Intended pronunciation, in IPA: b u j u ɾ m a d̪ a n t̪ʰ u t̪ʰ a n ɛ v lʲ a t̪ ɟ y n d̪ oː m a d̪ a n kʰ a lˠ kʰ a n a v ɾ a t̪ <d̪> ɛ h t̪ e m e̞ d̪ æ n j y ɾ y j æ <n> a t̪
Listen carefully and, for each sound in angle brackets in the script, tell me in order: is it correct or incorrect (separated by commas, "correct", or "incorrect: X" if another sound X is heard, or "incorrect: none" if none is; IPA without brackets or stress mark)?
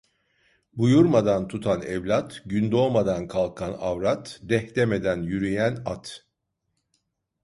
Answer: correct, correct